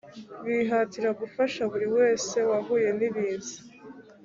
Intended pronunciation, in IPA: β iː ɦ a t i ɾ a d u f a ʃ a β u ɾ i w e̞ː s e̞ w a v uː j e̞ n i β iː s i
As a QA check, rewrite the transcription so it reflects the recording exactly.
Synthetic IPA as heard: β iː ɦ a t i ɾ a ɡ u f a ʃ a β u ɾ i w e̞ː s e̞ w a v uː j e̞ n i β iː z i